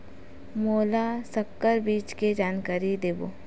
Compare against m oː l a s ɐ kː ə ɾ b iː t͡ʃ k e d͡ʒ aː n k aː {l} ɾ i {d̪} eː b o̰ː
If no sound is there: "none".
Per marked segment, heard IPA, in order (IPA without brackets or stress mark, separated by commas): none, d̪